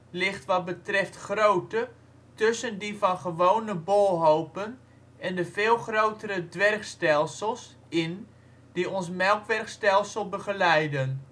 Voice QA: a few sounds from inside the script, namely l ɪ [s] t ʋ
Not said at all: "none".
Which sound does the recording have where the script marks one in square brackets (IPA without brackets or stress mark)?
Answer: χ